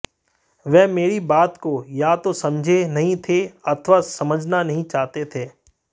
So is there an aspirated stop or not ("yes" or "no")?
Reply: yes